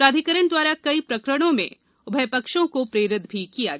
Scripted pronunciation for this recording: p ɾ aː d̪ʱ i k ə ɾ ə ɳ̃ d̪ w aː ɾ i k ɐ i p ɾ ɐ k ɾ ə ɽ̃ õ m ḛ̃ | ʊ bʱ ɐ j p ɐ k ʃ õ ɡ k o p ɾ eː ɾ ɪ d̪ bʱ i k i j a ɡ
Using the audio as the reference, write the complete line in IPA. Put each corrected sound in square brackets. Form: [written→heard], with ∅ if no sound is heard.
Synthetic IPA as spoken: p ɾ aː d̪ʱ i k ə ɾ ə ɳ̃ d̪ w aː ɾ [i→a] k ɐ i p ɾ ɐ k ɾ ə ɽ̃ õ m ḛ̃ | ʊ bʱ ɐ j p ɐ k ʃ õ [ɡ→∅] k o p ɾ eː ɾ ɪ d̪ bʱ i k i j a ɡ

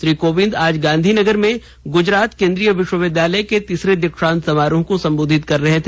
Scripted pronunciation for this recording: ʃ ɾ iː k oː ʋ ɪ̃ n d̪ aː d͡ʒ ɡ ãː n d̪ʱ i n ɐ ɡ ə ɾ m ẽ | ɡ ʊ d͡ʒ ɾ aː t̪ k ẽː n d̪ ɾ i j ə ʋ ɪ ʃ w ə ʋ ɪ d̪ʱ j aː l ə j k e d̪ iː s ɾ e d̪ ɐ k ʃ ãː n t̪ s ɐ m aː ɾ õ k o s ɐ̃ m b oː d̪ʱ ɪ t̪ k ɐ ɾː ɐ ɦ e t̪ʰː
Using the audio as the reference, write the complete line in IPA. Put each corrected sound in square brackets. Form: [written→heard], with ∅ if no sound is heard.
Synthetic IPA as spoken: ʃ ɾ iː k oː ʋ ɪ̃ n d̪ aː d͡ʒ ɡ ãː n d̪ʱ i n ɐ ɡ ə ɾ m ẽ | ɡ ʊ d͡ʒ ɾ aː t̪ k ẽː n d̪ ɾ i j ə ʋ ɪ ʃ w ə ʋ ɪ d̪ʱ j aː l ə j k e [d̪→t̪] iː s ɾ e d̪ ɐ k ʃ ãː n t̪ s ɐ m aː ɾ õ k o s ɐ̃ m b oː d̪ʱ ɪ t̪ k ɐ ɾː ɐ ɦ e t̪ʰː

